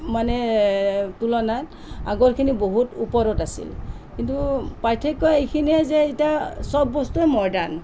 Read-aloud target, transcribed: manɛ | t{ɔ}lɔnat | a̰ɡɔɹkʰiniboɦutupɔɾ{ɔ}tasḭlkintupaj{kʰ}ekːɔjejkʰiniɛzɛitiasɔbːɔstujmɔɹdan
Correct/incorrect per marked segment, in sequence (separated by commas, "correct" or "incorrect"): incorrect, correct, incorrect